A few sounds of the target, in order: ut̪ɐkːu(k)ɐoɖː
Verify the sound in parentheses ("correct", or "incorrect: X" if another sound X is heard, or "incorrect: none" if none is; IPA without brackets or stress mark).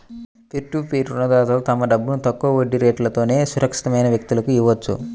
incorrect: none